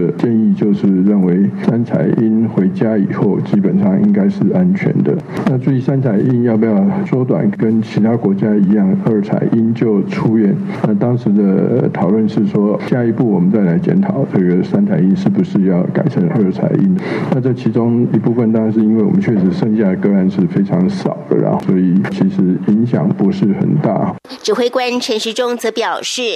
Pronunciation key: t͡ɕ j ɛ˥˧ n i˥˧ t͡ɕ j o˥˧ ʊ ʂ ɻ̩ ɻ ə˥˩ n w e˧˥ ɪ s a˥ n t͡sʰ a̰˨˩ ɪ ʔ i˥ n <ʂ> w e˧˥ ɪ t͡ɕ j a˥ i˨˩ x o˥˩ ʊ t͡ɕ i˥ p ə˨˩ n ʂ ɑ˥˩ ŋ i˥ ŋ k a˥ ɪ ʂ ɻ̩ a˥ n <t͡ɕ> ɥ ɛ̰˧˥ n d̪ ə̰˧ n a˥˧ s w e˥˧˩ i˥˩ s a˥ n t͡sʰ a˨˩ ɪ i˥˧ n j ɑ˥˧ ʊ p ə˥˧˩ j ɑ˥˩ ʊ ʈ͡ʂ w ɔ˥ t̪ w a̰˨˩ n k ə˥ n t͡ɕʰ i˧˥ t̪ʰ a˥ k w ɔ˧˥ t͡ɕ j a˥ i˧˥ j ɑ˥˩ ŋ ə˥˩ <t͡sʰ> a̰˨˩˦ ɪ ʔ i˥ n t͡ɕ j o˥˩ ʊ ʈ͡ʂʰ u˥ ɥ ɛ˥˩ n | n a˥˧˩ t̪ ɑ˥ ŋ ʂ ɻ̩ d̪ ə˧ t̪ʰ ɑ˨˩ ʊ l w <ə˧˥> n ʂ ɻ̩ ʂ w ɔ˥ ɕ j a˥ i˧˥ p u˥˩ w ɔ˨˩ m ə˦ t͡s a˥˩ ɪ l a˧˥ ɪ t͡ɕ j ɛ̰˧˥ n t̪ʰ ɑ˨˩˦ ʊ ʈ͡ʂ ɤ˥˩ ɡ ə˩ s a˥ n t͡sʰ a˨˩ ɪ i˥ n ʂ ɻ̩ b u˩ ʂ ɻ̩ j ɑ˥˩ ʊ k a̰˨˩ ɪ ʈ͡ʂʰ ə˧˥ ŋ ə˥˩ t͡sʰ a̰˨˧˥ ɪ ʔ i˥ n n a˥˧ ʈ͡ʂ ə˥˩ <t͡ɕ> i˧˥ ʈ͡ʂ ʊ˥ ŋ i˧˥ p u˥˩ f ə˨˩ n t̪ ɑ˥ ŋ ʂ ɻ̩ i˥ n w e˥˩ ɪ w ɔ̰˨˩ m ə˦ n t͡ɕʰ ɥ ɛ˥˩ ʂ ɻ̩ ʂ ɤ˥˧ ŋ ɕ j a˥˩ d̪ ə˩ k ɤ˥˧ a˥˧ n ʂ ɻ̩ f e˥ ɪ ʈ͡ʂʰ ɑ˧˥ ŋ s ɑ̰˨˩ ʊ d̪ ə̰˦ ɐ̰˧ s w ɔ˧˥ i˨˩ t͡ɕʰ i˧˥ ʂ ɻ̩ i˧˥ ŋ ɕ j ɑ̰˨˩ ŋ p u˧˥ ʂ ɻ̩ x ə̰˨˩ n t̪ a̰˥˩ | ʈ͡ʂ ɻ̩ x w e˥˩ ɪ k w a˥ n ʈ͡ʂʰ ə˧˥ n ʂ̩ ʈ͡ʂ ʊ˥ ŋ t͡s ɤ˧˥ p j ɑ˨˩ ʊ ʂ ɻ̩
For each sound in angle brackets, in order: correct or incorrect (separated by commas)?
incorrect, incorrect, correct, incorrect, incorrect